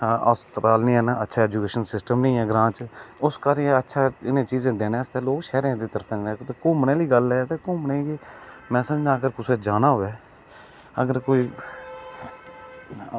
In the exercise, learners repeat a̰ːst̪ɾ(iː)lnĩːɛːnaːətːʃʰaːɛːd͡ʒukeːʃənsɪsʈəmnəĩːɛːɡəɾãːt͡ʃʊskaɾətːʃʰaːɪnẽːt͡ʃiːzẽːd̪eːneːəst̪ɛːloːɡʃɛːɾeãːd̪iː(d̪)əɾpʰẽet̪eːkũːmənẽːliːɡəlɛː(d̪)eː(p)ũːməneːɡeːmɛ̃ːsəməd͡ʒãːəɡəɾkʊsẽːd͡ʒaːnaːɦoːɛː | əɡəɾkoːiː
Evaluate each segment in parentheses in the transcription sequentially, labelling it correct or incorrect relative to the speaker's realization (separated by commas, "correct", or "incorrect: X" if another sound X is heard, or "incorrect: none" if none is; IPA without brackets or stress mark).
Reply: incorrect: aː, incorrect: t̪, incorrect: t̪, incorrect: k